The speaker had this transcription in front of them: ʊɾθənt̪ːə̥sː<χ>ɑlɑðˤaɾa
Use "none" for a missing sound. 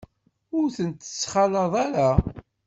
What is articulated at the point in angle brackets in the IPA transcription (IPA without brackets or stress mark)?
χ